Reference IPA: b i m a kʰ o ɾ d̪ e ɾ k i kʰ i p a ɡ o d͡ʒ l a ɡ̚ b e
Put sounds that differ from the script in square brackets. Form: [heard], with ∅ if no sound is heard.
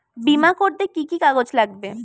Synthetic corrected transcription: b i m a [k] o ɾ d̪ e [∅] k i [k] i [k] a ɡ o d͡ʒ l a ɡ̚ b e